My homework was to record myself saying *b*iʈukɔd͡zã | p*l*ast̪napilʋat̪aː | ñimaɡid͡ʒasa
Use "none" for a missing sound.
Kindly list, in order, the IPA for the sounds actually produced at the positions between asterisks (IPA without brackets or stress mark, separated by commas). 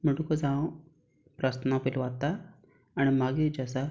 m, ɾ